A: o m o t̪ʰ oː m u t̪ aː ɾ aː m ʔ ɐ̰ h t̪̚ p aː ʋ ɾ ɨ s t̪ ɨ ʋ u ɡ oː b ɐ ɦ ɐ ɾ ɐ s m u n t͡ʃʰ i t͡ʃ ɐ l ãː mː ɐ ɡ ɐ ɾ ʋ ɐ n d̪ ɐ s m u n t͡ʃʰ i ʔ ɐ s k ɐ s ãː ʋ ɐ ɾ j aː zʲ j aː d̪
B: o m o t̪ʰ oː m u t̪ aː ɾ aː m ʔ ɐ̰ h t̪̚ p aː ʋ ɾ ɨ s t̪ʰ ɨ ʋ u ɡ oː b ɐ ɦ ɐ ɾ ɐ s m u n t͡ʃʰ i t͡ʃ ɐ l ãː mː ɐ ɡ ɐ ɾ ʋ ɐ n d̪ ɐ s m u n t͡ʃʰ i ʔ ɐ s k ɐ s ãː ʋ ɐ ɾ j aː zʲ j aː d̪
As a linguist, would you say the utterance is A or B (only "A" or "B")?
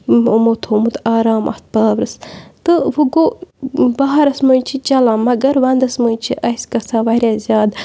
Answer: A